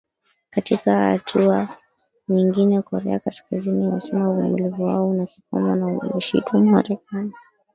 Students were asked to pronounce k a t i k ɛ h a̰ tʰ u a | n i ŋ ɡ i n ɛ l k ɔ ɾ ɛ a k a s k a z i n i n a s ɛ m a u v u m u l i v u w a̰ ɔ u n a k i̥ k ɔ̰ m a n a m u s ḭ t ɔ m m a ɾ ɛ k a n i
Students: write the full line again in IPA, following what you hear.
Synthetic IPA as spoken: k a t i k a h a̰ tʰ u a | ɲ i ŋ ɡ i n ɛ k ɔ ɾ ɛ a k a s k a z i n i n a s ɛ m a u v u m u l i v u w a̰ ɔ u n a k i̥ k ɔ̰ m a n a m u ʃ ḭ t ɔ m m a ɾ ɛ k a n i

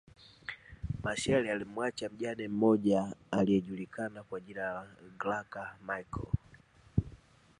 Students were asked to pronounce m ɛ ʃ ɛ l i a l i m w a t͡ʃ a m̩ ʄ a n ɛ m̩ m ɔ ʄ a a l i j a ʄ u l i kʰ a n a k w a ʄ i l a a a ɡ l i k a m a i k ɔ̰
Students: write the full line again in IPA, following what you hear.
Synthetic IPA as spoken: m a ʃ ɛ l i a l i m w a t͡ʃ a m̩ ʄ a n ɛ m̩ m ɔ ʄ a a l i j ɛ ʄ u l i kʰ a n a k w a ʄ i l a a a ɡ l a k a m a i k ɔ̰

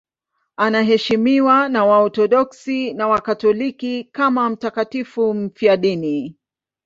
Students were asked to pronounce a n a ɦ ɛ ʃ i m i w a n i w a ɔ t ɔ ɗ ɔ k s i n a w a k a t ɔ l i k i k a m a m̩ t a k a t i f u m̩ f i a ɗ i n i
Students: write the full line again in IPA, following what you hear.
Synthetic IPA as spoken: a n a ɦ ɛ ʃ i m i w a n a w a ɔ t ɔ ɗ ɔ k s i n a w a k a t ɔ l i k i k a m a m̩ t a k a t i f u m̩ f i a ɗ i n i

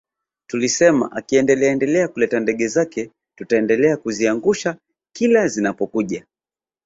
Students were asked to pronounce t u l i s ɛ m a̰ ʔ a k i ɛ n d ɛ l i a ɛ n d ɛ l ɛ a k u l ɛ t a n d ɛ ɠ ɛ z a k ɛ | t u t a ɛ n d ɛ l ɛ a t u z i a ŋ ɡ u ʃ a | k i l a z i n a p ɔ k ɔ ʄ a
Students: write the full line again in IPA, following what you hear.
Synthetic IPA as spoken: t u l i s ɛ m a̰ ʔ a k i ɛ n d ɛ l ɛ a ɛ n d ɛ l ɛ a k u l ɛ t a n d ɛ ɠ ɛ z a k ɛ | t u t a ɛ n d ɛ l ɛ a k u z i a ŋ ɡ u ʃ a | k i l a z i n a p ɔ k u ʄ a

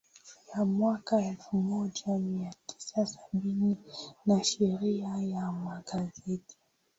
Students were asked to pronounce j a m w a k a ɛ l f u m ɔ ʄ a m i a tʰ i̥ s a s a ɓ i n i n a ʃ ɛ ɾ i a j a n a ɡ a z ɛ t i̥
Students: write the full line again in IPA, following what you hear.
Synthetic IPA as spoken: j a m w a k a ɛ l f u m ɔ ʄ a m i a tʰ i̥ s a s a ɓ i n i n a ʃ ɛ ɾ i a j a m a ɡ a z ɛ t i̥

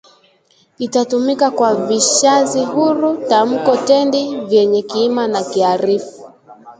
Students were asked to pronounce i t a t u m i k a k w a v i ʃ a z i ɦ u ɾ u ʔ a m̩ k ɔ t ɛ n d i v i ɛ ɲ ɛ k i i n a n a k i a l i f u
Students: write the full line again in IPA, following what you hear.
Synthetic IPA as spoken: i t a t u m i k a k w a v i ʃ a z i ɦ u ɾ u t a m̩ k ɔ t ɛ n d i v j ɛ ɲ ɛ k i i m a n a k i a ɾ i f u

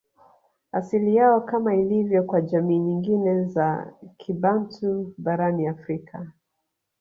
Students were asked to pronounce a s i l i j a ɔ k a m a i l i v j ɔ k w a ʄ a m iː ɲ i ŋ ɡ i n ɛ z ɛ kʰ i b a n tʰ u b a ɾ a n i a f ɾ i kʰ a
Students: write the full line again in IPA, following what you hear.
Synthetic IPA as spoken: a s i l i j a ɔ k a m a i l i v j ɔ k w a ʄ a m iː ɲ i ŋ ɡ i n ɛ z a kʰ i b a n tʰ u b a ɾ a n i a f ɾ i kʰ a

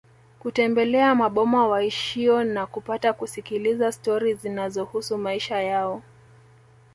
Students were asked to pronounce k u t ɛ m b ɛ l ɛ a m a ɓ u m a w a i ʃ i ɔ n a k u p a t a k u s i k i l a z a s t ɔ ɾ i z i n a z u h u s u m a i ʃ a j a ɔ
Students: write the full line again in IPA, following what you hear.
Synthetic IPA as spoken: k u t ɛ m b ɛ l ɛ a m a ɓ ɔ m a w a i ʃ i ɔ n a k u p a t a k u s i k i l i z a s t ɔ ɾ i z i n a z ɔ h u s u m a i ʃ a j a ɔ

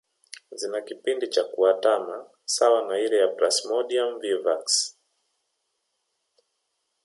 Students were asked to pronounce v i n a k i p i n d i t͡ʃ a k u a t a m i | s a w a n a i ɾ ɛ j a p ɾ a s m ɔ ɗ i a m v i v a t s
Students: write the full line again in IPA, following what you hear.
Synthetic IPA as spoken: z i n a k i p i n d i t͡ʃ a k u a t a m a | s a w a n a i ɾ ɛ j a p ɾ a s m ɔ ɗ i a m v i v a k s

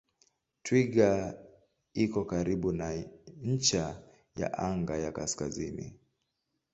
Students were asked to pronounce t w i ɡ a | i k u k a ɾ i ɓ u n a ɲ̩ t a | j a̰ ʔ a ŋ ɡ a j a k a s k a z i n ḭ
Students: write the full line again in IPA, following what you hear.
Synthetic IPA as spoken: t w i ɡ a | i k ɔ k a ɾ i ɓ u n a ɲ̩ t͡ʃ a | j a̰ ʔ a ŋ ɡ a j a k a s k a z i n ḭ

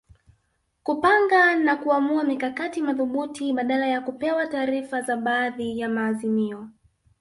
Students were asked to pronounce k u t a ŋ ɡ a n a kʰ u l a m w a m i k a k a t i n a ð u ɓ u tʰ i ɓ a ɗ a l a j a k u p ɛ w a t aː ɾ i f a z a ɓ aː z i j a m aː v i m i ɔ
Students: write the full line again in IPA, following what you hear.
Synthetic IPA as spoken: k u p a ŋ ɡ a n a k u a m u a m i k a k a t i m a ð u ɓ u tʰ i ɓ a ɗ a l a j a k u p ɛ w a t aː ɾ i f a z a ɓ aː ð i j a m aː z i m i ɔ

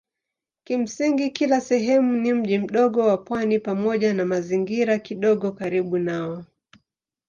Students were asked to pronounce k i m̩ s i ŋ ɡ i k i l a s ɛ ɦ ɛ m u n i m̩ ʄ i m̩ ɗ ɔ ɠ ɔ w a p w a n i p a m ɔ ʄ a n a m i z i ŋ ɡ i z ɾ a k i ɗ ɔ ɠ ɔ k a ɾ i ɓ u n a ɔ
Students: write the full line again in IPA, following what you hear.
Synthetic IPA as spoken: k i m̩ s i ŋ ɡ i k i l a s ɛ ɦ ɛ m u n i m̩ ʄ i m̩ ɗ ɔ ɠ ɔ w a p w a n i p a m ɔ ʄ a n a m a z i ŋ ɡ i ɾ a k i ɗ ɔ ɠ ɔ k a ɾ i ɓ u n a ɔ

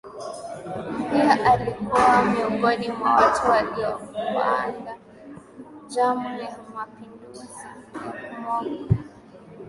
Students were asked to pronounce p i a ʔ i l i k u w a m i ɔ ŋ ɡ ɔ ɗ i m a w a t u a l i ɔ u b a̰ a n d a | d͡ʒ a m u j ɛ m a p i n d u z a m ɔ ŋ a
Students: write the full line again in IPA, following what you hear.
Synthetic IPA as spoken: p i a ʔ a l i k u w a m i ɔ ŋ ɡ ɔ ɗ i m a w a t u a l i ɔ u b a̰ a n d a | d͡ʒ a m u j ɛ m a p i n d u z i m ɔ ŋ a

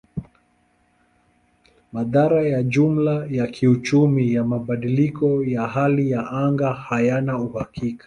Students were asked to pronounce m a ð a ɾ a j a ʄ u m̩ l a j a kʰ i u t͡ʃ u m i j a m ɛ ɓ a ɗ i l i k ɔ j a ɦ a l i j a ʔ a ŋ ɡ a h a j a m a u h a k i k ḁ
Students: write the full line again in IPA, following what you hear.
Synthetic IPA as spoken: m a ð a ɾ a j a ʄ u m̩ l a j a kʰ i u t͡ʃ u m i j a m a ɓ a ɗ i l i k ɔ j a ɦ a l i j a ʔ a ŋ ɡ a h a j a n a u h a k i k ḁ

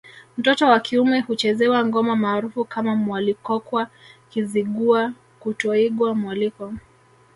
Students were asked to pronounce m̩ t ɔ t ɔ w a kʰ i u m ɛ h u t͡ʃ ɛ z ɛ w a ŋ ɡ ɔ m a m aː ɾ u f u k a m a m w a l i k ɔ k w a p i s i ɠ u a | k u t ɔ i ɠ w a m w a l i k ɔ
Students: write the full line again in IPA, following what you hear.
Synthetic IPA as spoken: m̩ t ɔ t ɔ w a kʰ i u m ɛ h u t͡ʃ ɛ z ɛ w a ŋ ɡ ɔ m a m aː ɾ u f u k a m a m w a l i k ɔ k w a k i z i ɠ u a | k u t ɔ i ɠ w a m w a l i k ɔ

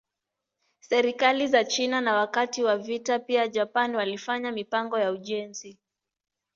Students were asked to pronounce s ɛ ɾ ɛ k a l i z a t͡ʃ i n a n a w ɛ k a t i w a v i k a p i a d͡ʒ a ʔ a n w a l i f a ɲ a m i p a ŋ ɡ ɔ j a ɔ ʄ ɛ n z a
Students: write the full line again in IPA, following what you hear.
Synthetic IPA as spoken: s ɛ ɾ i k a l i z a t͡ʃ i n a n a w a k a t i w a v i t a p i a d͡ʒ a p a n w a l i f a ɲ a m i p a ŋ ɡ ɔ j a u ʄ ɛ n z i

